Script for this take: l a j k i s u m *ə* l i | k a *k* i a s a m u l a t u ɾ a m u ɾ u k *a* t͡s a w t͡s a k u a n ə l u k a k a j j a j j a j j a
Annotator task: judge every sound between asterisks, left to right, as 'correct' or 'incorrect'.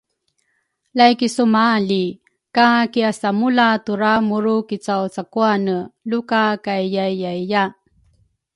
incorrect, correct, incorrect

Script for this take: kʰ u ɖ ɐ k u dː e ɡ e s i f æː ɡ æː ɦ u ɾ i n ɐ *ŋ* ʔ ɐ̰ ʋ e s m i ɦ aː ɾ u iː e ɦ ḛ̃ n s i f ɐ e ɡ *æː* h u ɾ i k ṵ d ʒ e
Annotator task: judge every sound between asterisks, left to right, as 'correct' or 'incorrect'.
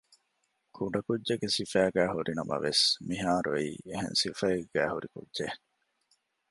incorrect, correct

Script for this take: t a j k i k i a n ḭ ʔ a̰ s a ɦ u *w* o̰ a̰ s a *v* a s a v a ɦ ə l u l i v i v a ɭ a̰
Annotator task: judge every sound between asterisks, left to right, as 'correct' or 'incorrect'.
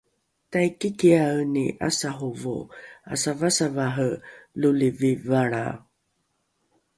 incorrect, correct

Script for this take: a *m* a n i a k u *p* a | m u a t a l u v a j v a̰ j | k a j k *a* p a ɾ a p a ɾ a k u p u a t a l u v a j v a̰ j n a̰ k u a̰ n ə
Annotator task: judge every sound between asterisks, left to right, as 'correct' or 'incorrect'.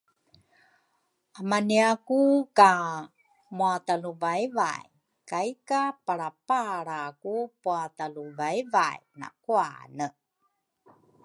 correct, incorrect, correct

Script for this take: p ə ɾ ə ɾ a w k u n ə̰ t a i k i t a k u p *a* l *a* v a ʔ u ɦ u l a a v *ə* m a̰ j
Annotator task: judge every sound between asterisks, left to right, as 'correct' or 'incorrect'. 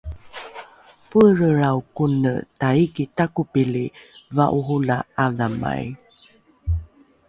incorrect, incorrect, incorrect

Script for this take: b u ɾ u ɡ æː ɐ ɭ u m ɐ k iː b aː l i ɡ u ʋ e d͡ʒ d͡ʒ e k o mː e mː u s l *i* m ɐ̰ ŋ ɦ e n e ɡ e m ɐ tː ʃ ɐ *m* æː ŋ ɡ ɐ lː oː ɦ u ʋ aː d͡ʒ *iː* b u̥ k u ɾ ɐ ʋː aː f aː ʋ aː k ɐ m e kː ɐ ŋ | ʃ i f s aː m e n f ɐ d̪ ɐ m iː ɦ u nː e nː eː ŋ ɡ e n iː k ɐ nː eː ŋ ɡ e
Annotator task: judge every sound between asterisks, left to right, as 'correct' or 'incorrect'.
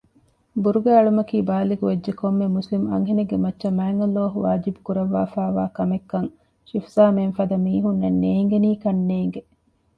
correct, correct, incorrect

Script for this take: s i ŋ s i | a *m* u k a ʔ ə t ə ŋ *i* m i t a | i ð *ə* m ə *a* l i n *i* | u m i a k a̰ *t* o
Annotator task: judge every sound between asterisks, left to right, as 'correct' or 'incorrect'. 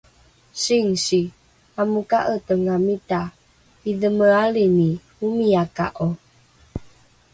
correct, incorrect, correct, correct, correct, incorrect

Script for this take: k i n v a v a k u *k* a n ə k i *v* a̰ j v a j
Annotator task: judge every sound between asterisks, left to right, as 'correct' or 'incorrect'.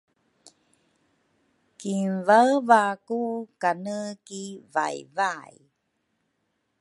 correct, correct

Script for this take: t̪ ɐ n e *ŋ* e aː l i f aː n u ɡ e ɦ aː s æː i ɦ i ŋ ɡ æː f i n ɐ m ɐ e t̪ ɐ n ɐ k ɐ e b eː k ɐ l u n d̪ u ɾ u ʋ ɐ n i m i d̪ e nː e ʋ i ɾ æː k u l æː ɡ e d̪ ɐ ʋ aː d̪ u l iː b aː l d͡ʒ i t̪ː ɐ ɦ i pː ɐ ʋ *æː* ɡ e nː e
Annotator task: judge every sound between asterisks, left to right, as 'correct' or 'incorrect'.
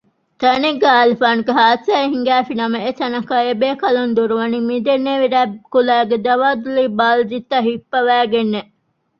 incorrect, correct

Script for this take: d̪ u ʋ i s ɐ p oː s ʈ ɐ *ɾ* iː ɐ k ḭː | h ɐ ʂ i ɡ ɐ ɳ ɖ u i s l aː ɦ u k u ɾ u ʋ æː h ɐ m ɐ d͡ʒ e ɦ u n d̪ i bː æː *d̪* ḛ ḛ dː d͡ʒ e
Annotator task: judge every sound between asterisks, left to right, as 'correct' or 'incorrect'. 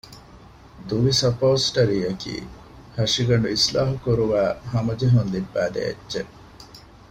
correct, correct

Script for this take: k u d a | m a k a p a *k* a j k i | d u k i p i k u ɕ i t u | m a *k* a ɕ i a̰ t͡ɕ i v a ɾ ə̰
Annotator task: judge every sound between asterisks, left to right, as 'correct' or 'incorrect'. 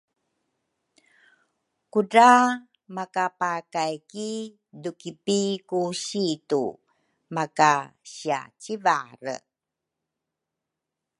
correct, correct

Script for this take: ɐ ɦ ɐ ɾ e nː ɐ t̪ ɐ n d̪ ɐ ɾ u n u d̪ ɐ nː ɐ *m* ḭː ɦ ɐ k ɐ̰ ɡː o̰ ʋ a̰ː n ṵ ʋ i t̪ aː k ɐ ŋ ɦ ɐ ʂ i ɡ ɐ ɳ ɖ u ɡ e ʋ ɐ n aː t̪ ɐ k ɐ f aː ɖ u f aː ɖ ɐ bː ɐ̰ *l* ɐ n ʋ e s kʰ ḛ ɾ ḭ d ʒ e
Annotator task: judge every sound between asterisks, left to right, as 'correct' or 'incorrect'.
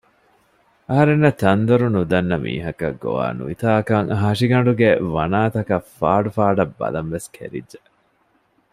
correct, correct

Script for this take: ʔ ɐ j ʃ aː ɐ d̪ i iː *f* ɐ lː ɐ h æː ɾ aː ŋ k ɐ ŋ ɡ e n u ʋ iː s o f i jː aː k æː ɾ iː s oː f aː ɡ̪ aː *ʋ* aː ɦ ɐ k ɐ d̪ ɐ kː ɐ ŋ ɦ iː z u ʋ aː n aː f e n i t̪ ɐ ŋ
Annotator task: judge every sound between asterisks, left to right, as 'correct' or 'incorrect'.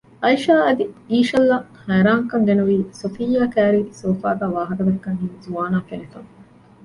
incorrect, correct

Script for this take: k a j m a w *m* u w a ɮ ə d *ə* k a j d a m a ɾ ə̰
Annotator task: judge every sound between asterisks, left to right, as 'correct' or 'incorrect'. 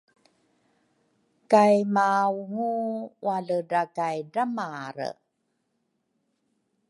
incorrect, incorrect

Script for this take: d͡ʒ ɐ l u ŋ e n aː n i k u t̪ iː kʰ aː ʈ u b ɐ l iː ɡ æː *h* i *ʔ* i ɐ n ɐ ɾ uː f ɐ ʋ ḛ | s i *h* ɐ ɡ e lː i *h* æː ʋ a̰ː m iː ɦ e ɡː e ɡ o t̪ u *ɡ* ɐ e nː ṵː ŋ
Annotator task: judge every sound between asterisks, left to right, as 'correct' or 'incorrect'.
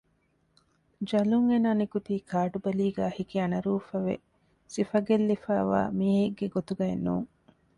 correct, incorrect, incorrect, incorrect, correct

